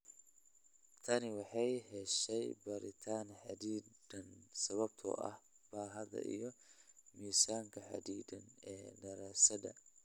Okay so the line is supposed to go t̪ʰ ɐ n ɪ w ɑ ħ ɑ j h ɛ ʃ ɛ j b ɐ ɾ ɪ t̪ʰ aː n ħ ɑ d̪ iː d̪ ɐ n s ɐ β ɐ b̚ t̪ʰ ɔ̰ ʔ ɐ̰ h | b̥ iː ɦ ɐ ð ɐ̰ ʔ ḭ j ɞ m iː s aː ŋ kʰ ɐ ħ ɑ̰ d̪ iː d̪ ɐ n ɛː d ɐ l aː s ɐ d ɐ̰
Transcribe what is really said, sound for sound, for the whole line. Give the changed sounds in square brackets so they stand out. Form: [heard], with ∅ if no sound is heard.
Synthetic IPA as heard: t̪ʰ ɐ n ɪ w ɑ ħ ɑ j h ɛ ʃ ɛ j b ɐ ɾ ɪ t̪ʰ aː n ħ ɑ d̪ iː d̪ ɐ n s ɐ β ɐ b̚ t̪ʰ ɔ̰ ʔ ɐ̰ h | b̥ [aː] ɦ ɐ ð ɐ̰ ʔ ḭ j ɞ m iː s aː ŋ kʰ ɐ ħ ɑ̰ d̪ iː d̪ ɐ n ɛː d ɐ [ɾ] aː s ɐ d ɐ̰